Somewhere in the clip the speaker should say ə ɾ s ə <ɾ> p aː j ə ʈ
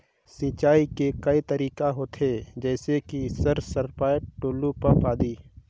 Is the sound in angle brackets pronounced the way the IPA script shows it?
yes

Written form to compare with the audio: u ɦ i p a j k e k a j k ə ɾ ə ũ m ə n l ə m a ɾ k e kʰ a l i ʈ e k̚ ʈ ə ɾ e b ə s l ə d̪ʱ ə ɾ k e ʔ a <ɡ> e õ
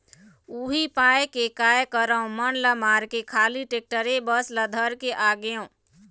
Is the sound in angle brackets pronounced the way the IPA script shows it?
yes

